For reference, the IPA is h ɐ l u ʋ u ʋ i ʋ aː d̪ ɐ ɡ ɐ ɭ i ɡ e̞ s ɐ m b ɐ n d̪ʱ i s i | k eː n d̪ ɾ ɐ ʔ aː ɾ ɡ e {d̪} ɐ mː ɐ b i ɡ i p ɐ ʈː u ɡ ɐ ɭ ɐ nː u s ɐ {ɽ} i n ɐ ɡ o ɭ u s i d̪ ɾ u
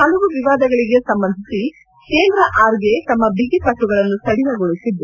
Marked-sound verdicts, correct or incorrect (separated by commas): incorrect, correct